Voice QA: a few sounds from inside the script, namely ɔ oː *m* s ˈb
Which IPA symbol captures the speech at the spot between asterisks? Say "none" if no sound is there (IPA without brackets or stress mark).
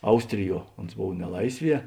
n